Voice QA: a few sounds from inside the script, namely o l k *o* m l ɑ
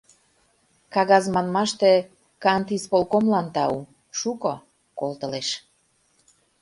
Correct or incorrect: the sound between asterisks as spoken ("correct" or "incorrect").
correct